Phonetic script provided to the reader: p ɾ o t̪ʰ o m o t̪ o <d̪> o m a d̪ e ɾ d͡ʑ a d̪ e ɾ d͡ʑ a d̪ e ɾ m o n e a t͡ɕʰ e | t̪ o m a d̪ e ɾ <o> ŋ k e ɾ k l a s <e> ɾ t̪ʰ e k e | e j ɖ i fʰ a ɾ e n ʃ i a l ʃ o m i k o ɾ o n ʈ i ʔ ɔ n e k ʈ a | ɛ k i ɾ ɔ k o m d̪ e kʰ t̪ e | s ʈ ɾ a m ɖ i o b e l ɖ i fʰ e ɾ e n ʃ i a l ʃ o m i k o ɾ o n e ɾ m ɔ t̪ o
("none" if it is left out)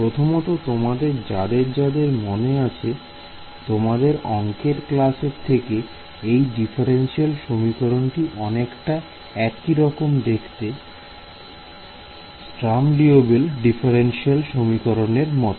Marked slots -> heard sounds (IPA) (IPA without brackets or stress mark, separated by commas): t̪, ɔ, e